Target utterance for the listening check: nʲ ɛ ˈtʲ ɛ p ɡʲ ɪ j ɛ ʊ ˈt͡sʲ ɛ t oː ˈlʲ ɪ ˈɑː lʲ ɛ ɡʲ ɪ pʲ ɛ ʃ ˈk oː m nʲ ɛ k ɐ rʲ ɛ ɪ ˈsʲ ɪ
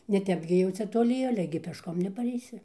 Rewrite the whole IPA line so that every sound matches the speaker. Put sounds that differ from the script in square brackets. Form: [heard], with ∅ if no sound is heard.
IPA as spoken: nʲ ɛ ˈtʲ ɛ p ɡʲ ɪ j ɛ ʊ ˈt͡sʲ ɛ t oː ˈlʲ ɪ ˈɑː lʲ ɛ ɡʲ ɪ pʲ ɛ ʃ ˈk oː m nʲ ɛ [p] ɐ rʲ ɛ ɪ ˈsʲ ɪ